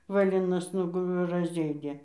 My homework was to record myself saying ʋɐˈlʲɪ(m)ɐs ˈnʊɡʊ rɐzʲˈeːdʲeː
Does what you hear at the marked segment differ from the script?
yes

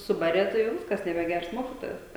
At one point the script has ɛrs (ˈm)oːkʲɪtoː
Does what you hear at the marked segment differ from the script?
no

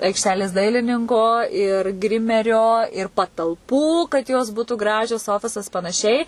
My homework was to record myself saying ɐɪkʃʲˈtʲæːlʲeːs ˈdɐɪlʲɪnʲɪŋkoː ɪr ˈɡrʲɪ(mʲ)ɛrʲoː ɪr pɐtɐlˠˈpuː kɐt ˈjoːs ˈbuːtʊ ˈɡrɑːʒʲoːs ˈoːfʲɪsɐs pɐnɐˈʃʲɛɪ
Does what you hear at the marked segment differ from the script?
no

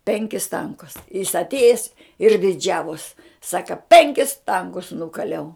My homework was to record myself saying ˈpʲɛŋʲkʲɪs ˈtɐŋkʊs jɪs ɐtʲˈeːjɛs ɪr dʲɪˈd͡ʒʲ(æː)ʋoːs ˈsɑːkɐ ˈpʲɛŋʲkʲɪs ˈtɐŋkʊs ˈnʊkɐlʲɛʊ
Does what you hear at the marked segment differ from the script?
no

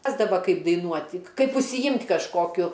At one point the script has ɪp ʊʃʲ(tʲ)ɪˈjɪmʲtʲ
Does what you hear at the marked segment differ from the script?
yes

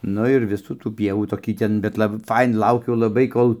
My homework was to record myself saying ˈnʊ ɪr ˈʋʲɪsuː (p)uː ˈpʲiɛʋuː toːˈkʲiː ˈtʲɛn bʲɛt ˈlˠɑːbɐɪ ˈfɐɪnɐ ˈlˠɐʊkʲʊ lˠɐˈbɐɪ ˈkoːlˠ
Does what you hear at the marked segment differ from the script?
yes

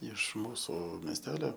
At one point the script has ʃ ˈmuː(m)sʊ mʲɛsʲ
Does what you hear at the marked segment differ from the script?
yes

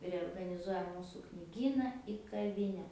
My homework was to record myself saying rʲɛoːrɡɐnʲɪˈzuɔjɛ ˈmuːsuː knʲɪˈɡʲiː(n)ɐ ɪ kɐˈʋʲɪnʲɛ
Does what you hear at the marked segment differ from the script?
no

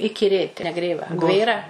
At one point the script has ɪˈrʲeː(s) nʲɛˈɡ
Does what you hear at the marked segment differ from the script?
yes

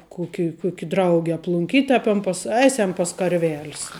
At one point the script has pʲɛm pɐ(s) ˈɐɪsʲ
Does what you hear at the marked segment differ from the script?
no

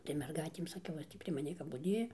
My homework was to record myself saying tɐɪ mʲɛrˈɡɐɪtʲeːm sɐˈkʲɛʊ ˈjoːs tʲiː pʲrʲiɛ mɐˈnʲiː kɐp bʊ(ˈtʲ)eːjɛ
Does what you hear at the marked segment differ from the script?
yes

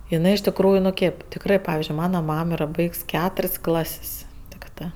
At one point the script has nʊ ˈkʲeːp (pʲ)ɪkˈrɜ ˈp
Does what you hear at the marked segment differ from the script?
yes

